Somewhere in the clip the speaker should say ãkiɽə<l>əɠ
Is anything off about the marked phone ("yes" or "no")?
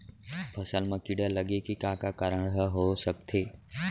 no